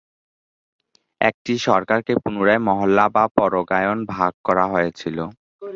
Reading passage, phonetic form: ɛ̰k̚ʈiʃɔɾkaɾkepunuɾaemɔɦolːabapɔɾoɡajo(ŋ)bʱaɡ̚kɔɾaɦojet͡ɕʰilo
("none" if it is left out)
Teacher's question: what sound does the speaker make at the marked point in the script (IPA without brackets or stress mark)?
n